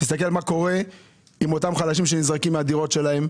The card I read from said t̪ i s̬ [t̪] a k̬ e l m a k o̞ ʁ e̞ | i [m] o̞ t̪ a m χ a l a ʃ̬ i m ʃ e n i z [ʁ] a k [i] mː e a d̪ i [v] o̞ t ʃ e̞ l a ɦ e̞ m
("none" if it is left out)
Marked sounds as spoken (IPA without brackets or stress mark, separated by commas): t̪, m, ʁ, i, ʁ